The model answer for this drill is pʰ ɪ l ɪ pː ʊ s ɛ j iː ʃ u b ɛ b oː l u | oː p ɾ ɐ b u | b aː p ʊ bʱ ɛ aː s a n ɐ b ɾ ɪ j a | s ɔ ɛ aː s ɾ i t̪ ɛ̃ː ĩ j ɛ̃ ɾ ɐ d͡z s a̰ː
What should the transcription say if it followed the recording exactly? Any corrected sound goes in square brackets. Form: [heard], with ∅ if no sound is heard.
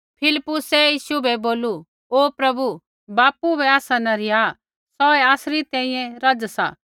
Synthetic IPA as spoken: pʰ ɪ l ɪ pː ʊ s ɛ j iː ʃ u b ɛ b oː l u | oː p ɾ ɐ b u | b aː p [u] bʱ ɛ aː s a n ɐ [∅] ɾ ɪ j a | s ɔ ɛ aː s ɾ i t̪ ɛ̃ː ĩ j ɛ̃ ɾ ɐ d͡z s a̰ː